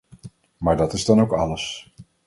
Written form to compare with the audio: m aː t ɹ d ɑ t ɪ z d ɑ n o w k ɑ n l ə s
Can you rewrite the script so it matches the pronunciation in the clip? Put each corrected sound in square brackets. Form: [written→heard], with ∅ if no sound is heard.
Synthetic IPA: m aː [t→∅] ɹ d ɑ t ɪ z d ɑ n o w k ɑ [n→∅] l ə s